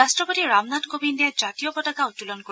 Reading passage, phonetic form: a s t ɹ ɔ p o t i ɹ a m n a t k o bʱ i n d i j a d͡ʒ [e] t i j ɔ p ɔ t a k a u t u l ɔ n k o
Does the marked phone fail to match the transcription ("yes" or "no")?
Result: yes